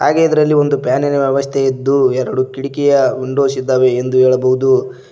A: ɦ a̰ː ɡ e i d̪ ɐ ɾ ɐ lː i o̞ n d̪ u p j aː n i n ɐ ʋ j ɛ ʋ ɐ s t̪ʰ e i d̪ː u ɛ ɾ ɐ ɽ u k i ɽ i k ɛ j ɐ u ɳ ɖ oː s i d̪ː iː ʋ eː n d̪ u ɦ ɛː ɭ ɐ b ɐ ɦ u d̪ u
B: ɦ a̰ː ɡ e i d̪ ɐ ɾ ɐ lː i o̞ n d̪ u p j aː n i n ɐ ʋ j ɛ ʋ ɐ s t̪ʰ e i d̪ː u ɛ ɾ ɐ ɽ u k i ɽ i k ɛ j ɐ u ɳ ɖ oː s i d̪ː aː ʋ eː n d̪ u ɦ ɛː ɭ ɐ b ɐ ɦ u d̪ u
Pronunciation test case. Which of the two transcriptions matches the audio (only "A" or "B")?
B